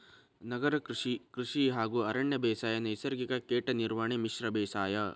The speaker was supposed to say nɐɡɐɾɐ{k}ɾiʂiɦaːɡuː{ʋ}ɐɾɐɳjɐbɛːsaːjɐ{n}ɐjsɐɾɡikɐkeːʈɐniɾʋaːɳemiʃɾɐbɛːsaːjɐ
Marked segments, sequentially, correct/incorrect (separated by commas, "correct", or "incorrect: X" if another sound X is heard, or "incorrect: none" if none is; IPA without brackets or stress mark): correct, incorrect: none, correct